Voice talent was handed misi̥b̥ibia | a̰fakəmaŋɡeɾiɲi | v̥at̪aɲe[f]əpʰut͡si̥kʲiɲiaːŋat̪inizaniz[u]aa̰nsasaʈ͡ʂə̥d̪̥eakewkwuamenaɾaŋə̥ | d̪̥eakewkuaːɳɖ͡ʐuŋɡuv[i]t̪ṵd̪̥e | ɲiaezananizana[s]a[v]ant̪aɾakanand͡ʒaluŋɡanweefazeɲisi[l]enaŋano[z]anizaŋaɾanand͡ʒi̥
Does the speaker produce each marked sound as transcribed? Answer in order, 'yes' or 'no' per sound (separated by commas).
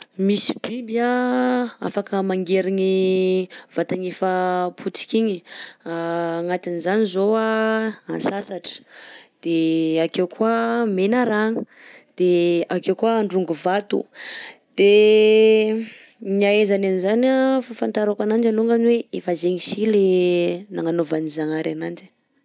yes, no, no, no, no, yes, no